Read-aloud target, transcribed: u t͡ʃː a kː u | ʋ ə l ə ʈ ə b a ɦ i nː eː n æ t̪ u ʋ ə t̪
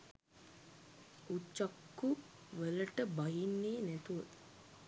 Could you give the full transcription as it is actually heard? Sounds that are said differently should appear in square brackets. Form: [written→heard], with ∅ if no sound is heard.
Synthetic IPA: u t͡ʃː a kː u | ʋ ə l ə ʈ ə b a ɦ i nː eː n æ t̪ u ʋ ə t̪